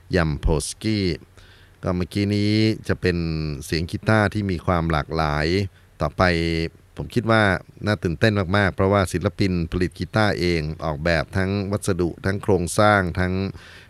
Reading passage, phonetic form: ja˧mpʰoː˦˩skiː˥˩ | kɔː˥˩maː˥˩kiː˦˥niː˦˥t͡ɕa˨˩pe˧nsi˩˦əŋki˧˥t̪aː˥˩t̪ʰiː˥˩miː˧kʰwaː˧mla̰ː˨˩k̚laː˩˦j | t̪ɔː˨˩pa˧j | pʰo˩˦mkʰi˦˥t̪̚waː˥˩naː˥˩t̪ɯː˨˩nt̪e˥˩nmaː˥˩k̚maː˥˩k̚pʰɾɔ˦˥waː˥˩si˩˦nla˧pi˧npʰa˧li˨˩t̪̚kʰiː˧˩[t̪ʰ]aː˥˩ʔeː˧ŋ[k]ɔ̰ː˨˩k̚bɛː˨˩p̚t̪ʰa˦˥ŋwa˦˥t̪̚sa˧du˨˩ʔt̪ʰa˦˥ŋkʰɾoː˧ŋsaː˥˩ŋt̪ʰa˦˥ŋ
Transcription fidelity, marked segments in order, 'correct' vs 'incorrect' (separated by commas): incorrect, incorrect